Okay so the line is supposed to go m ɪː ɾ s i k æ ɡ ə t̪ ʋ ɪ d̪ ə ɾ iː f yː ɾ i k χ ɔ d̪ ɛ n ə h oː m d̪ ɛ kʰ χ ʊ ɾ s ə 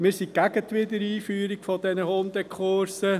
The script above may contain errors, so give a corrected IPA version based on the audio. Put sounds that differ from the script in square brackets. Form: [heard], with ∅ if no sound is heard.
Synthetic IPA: m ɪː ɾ s i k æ ɡ ə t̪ ʋ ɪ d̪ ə ɾ iː f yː ɾ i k [f] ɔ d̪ ɛ n ə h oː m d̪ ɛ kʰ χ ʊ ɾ s ə